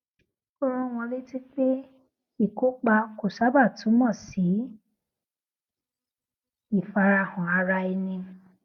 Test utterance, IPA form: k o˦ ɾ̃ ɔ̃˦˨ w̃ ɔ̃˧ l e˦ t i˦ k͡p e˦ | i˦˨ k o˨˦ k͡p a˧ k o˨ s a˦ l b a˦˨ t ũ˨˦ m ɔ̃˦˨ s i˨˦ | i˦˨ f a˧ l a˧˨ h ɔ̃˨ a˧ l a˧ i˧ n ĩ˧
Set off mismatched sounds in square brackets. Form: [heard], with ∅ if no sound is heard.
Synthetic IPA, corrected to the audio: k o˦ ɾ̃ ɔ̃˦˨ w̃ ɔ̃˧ l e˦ t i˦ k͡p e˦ | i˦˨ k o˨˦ k͡p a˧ k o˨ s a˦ [∅] b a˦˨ t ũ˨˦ m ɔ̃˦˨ s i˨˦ | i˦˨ f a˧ [ɾ] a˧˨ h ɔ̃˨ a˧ [ɾ] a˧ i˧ n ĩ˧